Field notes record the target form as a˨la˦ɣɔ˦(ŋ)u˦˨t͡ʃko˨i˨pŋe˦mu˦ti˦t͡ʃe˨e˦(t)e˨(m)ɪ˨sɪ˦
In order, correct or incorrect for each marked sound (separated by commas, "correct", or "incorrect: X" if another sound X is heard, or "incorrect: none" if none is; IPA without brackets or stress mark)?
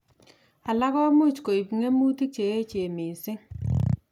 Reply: incorrect: m, incorrect: t͡ʃ, correct